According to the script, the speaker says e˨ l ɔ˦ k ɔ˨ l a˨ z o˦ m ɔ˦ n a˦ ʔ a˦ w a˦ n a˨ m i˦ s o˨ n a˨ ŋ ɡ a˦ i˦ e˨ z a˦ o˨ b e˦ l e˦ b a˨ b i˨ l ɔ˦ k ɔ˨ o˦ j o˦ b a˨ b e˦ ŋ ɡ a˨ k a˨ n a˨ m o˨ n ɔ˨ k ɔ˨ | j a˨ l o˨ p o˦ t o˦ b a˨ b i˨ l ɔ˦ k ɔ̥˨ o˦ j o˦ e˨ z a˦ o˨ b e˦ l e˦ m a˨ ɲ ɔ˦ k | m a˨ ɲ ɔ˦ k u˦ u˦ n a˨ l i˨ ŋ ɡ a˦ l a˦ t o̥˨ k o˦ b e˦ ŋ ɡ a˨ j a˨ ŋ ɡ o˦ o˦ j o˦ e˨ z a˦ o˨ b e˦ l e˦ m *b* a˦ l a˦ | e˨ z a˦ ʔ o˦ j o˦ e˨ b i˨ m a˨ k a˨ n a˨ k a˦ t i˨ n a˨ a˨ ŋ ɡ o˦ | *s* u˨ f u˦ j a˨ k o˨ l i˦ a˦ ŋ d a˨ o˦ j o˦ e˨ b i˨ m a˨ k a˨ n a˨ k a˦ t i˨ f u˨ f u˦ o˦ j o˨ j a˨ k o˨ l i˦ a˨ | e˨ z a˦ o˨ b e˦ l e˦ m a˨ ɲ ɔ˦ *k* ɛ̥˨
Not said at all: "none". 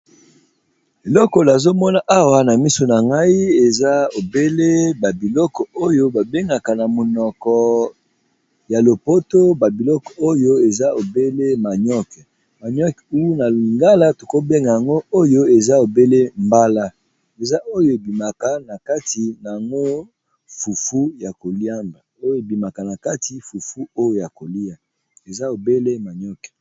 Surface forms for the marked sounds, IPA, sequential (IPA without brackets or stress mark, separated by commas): b, f, k